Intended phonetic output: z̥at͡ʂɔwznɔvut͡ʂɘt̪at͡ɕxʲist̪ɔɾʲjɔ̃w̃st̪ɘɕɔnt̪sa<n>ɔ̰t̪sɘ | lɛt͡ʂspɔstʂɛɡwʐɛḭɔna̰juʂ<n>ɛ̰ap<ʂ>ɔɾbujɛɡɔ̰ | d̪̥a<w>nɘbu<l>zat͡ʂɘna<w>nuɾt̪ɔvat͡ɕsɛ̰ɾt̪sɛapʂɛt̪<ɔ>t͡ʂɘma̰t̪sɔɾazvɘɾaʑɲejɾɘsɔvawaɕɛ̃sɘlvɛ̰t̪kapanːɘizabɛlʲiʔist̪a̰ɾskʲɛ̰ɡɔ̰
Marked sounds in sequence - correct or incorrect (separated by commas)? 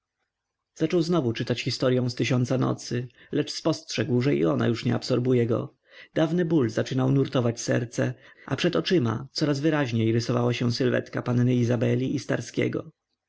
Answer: correct, incorrect, incorrect, incorrect, correct, correct, correct